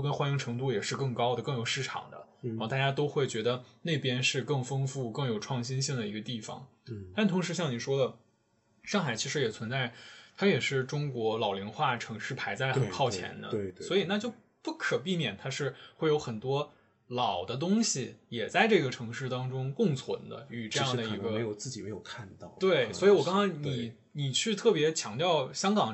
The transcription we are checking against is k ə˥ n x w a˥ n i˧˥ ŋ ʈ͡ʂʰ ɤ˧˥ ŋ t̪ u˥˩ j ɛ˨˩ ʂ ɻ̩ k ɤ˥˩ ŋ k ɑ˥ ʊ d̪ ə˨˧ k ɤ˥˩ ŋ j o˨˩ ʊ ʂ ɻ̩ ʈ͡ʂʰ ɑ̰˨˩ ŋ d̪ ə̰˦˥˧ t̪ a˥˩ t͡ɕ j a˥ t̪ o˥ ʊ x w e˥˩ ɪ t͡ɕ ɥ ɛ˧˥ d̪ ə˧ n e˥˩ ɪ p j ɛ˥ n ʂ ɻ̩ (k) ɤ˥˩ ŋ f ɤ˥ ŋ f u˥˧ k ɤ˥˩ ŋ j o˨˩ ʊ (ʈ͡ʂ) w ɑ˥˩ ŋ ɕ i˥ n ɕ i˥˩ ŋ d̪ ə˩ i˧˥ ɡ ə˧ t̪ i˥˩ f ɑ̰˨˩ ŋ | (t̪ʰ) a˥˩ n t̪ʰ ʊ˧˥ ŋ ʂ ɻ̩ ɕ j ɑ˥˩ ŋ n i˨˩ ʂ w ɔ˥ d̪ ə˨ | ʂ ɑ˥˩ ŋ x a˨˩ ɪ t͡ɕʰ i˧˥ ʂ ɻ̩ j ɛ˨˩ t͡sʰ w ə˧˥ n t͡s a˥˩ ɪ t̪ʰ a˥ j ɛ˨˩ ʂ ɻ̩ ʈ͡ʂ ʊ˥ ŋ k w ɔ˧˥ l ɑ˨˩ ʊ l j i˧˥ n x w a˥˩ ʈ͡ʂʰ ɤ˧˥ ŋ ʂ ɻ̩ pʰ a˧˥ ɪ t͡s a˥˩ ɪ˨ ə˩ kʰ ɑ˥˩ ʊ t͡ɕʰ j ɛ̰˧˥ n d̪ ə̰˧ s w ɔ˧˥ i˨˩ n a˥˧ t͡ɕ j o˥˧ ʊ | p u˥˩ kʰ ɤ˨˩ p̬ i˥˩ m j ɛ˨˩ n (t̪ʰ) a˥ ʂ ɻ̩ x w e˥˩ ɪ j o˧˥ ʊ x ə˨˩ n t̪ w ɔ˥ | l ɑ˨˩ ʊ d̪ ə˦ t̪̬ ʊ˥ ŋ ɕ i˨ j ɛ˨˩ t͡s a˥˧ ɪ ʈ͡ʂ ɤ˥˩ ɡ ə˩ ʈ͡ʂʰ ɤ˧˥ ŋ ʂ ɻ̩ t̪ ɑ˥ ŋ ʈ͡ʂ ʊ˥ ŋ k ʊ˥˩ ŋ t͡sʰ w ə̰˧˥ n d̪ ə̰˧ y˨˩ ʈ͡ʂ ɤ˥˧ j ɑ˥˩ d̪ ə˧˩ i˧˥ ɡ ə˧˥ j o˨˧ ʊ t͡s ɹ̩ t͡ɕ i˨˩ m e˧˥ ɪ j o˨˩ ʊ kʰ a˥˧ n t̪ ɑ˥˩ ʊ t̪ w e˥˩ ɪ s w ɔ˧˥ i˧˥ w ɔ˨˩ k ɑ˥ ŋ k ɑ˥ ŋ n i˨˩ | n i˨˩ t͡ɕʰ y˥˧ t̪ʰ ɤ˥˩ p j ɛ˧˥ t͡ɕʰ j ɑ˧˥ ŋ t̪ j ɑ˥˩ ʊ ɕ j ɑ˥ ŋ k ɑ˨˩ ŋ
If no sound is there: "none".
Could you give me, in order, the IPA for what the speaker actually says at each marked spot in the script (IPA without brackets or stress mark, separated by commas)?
k, ʈ͡ʂʰ, t̪, t̪ʰ